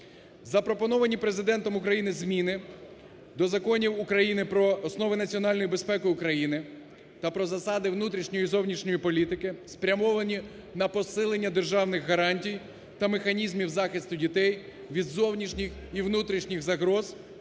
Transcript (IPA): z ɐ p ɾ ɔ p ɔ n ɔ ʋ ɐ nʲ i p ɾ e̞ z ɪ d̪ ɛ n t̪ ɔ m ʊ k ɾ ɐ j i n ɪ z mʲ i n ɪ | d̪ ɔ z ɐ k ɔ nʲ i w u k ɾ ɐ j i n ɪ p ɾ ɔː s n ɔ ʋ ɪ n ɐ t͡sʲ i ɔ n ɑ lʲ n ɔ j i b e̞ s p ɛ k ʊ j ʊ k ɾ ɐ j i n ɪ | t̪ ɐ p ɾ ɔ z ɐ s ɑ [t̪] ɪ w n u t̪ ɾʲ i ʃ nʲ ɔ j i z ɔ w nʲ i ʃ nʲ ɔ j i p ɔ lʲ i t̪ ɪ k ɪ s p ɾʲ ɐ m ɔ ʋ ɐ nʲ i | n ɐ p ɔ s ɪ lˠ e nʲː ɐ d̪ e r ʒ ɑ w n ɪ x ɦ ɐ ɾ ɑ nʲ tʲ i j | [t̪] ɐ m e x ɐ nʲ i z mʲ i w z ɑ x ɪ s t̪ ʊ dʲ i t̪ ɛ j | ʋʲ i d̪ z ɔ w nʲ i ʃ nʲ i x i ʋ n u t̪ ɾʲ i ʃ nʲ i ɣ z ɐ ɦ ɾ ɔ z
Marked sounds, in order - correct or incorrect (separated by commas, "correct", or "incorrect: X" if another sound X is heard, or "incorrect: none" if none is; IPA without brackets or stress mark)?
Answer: incorrect: d̪, correct